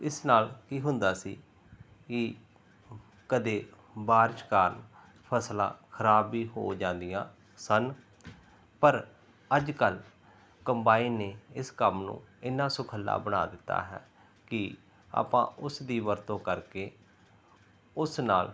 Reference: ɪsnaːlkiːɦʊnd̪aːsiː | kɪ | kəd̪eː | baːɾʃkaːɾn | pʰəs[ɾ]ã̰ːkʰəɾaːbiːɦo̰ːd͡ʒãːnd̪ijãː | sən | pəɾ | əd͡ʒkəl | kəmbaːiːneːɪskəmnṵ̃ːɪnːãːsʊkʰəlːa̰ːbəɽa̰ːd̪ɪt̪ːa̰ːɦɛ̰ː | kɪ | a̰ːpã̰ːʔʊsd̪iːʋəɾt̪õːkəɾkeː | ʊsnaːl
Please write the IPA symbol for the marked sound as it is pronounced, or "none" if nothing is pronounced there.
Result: l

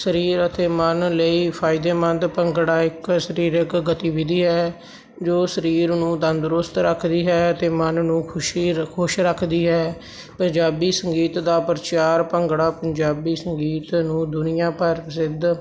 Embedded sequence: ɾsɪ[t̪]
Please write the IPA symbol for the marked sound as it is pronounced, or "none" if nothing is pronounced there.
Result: d̪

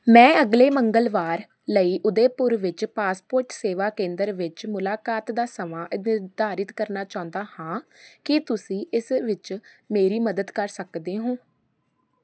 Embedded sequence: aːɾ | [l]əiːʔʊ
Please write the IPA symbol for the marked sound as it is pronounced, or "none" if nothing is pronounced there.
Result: l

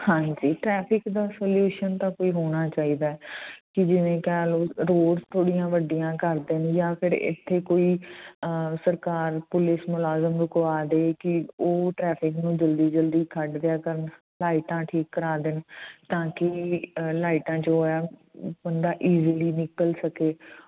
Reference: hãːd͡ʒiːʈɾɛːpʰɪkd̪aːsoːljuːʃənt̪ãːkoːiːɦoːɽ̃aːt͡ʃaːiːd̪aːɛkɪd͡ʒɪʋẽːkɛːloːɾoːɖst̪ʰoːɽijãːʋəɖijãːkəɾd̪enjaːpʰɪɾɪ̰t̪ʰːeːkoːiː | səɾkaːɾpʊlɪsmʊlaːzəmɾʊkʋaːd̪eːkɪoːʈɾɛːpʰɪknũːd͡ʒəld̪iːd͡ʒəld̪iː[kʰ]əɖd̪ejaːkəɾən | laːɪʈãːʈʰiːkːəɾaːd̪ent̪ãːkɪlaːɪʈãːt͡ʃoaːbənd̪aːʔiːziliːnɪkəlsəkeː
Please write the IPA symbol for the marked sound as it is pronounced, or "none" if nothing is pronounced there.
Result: kʰ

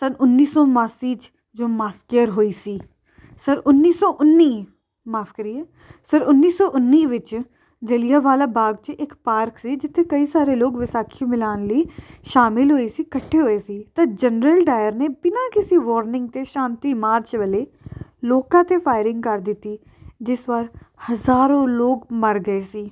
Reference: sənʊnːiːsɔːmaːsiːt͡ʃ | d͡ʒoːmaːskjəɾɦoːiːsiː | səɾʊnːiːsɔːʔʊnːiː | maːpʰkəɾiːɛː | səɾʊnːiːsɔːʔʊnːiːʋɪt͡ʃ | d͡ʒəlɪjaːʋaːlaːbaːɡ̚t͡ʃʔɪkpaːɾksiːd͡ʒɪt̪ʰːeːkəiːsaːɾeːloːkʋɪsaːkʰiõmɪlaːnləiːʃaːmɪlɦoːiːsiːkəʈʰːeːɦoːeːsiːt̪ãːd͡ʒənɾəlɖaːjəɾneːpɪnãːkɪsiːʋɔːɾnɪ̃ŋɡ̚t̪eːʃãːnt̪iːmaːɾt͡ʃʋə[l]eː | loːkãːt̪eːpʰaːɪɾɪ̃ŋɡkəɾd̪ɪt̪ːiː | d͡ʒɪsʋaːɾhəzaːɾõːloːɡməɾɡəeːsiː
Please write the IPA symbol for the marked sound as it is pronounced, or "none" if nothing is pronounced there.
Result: l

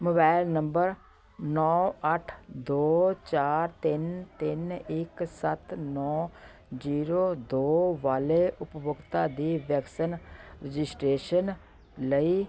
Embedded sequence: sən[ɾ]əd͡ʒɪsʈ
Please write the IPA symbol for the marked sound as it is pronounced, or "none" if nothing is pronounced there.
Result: ɾ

